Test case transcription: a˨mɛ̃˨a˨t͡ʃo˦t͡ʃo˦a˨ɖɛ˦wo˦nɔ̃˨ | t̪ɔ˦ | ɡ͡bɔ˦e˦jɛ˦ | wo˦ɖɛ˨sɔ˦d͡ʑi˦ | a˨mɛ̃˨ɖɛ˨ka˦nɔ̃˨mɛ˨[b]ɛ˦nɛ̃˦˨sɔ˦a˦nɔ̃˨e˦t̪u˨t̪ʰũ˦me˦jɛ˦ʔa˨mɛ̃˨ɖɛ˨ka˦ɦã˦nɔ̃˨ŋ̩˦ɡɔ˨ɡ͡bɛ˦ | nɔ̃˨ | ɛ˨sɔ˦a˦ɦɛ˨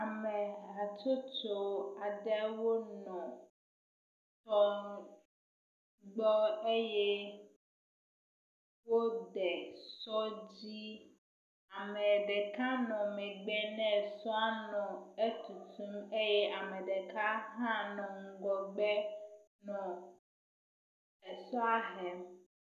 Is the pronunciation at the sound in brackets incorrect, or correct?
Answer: incorrect: ɡ͡b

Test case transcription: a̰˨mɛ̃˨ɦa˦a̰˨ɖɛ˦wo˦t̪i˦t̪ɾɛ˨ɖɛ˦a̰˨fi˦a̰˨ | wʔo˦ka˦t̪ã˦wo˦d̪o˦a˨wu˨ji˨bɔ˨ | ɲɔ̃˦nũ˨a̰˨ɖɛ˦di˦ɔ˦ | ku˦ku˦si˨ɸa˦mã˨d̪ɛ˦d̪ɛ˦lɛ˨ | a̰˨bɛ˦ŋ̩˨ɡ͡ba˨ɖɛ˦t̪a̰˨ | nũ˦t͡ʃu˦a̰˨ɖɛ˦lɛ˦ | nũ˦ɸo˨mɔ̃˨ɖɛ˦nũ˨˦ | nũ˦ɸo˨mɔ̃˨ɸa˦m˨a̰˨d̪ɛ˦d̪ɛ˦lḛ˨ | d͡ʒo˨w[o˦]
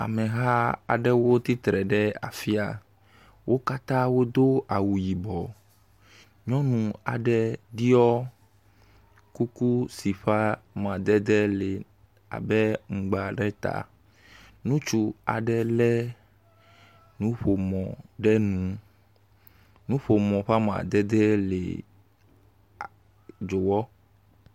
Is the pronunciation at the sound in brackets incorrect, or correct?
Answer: incorrect: ɔ˦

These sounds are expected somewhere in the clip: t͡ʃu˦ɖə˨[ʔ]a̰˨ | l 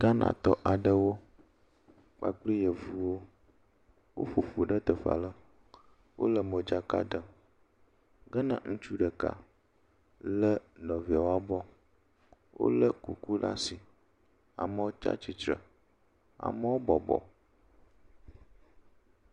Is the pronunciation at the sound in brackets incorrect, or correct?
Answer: incorrect: k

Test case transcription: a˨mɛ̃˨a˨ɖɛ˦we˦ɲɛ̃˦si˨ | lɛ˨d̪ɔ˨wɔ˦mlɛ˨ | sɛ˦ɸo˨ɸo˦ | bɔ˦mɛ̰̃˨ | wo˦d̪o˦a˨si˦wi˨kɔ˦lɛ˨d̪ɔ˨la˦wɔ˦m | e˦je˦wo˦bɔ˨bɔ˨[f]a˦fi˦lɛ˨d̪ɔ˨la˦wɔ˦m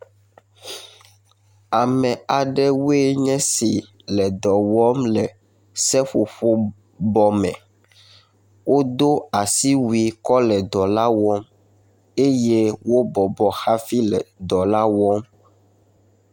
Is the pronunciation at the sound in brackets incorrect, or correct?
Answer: incorrect: x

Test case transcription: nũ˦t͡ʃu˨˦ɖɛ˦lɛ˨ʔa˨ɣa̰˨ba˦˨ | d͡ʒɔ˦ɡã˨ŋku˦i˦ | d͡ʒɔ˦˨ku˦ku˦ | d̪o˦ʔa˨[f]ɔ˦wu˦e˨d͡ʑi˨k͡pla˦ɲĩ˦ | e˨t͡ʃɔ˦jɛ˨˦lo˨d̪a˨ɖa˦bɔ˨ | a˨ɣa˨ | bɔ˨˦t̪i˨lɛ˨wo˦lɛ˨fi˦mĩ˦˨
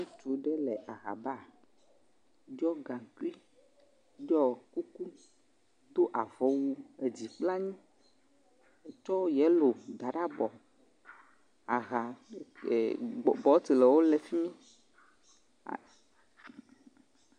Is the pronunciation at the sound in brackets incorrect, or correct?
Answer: incorrect: v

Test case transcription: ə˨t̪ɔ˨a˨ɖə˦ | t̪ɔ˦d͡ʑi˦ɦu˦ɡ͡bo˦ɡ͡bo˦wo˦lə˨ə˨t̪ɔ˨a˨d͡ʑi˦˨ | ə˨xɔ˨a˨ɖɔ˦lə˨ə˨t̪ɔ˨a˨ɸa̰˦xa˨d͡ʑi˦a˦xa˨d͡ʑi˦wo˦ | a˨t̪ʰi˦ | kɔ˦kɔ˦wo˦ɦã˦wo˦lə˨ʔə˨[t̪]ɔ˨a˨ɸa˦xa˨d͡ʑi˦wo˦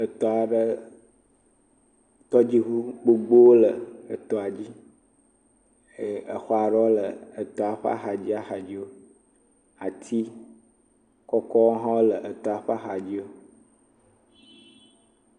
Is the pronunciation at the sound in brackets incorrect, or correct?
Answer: correct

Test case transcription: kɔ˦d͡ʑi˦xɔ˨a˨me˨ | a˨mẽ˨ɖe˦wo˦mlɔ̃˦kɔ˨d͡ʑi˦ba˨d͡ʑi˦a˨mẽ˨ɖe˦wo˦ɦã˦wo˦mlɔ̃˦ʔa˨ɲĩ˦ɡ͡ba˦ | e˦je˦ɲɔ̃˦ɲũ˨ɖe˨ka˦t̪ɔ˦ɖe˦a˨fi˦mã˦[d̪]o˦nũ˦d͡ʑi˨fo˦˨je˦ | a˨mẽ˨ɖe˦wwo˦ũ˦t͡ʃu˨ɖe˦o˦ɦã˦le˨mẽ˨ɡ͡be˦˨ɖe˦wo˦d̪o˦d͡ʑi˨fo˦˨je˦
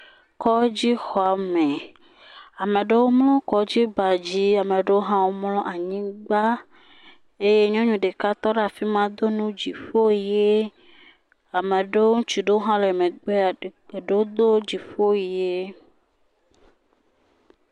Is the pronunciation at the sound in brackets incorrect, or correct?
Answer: correct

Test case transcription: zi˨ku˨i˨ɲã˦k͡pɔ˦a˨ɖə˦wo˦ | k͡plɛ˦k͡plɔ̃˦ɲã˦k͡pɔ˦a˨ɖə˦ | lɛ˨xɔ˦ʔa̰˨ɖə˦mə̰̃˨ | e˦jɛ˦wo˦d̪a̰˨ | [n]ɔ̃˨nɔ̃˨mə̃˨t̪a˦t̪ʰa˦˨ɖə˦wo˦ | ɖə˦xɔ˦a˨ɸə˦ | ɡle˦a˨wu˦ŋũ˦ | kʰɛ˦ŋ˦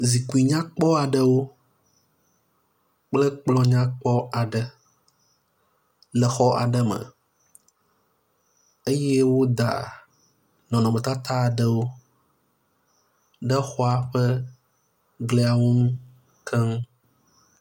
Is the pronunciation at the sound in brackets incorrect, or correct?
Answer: correct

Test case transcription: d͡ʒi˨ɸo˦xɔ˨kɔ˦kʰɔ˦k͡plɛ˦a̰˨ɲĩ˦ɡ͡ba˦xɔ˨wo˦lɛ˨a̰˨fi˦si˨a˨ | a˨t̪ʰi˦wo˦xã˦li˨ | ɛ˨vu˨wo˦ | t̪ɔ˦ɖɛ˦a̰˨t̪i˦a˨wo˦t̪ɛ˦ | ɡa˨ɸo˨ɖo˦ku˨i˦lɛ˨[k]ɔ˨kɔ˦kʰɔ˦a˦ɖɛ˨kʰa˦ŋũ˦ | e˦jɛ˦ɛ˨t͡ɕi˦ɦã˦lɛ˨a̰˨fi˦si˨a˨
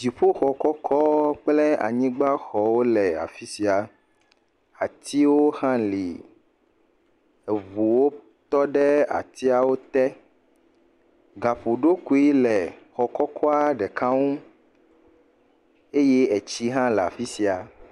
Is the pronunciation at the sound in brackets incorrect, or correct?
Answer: incorrect: x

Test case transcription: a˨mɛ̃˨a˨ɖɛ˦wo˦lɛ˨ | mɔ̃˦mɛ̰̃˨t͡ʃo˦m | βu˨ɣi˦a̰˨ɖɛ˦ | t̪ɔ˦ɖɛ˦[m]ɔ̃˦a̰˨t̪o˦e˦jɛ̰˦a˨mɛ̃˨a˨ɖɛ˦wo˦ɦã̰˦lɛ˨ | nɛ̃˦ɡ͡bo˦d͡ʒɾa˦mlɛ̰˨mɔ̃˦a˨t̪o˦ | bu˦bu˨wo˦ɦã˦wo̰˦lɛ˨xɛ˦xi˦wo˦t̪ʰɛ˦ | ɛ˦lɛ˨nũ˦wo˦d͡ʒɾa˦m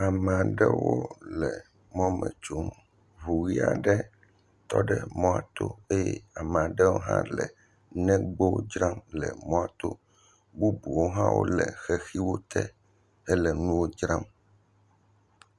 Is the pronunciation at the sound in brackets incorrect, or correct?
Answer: correct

